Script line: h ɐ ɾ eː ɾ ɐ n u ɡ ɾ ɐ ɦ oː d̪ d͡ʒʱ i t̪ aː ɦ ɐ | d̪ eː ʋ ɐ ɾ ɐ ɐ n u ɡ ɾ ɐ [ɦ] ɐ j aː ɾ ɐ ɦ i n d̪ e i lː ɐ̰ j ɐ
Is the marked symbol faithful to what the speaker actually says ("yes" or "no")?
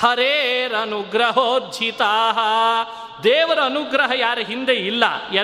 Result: yes